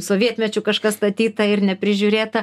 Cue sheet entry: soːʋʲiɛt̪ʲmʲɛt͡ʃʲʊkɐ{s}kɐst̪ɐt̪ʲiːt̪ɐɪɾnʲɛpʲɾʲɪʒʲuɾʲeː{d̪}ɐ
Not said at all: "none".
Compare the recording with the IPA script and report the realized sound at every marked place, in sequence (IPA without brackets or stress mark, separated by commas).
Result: ʃ, t̪